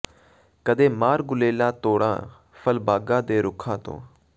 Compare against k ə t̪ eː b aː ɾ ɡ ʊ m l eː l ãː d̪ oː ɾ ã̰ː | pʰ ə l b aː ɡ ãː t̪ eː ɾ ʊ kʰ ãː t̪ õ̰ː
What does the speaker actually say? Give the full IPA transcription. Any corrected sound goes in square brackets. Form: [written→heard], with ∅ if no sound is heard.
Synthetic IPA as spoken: k ə [t̪→d̪] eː [b→m] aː ɾ ɡ ʊ [m→∅] l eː l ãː [d̪→t̪] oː [ɾ→ɽ] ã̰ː | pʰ ə l b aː ɡ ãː [t̪→d̪] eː ɾ ʊ kʰ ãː t̪ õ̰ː